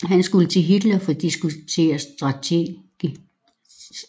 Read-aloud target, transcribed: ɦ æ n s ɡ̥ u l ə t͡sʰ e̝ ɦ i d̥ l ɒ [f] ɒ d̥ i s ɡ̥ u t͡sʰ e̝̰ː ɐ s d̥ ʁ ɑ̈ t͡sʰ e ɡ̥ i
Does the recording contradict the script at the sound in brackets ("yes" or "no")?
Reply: no